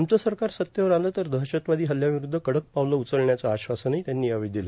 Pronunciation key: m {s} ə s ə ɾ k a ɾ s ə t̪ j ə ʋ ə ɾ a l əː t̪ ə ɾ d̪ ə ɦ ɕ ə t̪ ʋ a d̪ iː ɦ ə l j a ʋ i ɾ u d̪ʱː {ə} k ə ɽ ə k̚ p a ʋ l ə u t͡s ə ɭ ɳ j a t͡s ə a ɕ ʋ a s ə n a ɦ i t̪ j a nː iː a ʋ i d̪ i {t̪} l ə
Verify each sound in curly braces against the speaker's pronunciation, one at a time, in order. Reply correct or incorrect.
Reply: incorrect, correct, incorrect

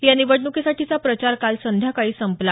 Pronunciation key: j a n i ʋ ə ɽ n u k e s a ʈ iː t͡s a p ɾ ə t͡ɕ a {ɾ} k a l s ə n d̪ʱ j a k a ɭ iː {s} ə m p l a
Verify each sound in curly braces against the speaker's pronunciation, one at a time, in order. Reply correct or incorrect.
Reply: correct, correct

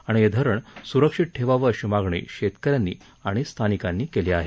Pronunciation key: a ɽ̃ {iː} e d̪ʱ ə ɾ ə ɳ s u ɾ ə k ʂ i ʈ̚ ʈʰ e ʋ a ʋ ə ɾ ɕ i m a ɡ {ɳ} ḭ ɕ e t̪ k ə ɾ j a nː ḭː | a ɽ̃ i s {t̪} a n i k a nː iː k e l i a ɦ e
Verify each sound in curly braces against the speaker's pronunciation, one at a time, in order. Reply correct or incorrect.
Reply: incorrect, correct, incorrect

